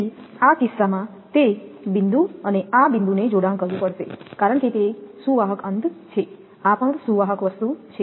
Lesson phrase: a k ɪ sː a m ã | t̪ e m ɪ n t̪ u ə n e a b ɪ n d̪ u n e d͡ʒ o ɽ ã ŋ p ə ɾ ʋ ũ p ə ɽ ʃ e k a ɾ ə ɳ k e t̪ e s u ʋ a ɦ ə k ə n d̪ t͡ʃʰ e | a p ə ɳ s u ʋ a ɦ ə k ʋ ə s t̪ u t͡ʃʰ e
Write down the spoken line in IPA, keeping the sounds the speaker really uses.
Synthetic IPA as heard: a k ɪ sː a m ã | t̪ e b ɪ n d̪ u ə n e a b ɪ n d̪ u n e d͡ʒ o ɽ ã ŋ k ə ɾ ʋ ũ p ə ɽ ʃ e k a ɾ ə ɳ k e t̪ e s u ʋ a ɦ ə k ə n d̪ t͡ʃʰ e | a p ə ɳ s u ʋ a ɦ ə k ʋ ə s t̪ u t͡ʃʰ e